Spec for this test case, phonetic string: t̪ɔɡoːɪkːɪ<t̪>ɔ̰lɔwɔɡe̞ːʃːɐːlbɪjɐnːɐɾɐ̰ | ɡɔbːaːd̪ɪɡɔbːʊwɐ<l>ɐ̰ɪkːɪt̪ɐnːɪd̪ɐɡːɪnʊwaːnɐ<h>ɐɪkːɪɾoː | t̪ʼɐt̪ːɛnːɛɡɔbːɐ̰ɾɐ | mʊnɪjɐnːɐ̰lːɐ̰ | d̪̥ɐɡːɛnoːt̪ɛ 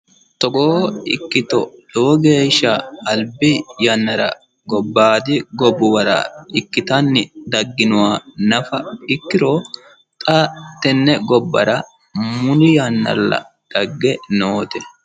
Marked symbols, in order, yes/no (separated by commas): yes, no, no